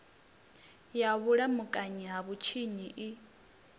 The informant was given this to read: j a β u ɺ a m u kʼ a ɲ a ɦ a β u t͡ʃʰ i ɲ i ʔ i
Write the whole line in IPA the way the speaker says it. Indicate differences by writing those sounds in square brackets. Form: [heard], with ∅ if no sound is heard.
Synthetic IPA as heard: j a β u ɺ a m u kʼ a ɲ [i] ɦ a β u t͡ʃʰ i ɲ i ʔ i